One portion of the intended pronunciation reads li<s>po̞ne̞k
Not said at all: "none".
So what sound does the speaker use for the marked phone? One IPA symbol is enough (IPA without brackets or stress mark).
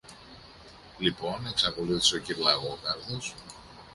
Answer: none